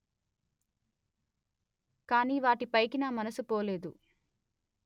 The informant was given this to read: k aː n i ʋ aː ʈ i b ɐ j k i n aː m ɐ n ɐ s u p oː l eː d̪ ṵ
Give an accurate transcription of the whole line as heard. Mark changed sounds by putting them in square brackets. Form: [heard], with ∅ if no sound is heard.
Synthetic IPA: k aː n [iː] ʋ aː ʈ i [p] ɐ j k i n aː m ɐ n ɐ s u p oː l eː d̪ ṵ